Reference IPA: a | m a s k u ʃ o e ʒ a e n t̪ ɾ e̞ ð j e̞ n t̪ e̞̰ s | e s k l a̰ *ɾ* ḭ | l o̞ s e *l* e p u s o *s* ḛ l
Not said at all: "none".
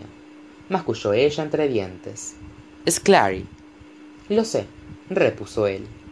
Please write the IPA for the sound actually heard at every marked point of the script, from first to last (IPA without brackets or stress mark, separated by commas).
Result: ɾ, r, none